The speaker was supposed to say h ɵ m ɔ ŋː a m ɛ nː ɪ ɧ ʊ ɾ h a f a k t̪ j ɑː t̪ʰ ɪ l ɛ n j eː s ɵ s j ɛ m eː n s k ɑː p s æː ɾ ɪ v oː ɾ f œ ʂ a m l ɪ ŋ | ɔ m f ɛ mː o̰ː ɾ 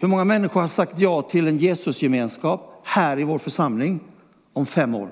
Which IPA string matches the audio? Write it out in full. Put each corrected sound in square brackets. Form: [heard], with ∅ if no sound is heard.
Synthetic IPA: h ɵ m ɔ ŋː a m ɛ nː ɪ ɧ ʊ ɾ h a [ʂ] a k t̪ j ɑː t̪ʰ ɪ l ɛ n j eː s ɵ s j ɛ m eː n s k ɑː p [h] æː ɾ ɪ v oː ɾ f œ ʂ a m l ɪ ŋ | ɔ m f ɛ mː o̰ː ɾ